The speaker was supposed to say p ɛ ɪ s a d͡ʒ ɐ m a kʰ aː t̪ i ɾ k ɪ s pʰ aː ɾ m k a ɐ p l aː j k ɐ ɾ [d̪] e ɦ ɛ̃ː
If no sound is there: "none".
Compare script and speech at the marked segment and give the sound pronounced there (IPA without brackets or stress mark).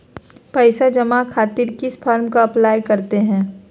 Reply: t̪